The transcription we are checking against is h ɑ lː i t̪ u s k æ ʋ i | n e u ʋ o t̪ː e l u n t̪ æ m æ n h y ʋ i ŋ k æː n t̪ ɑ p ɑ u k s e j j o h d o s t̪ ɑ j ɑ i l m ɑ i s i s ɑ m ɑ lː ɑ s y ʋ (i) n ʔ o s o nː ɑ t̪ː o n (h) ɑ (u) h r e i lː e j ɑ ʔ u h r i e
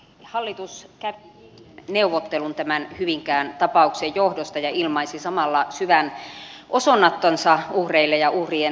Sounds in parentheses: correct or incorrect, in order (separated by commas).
incorrect, incorrect, correct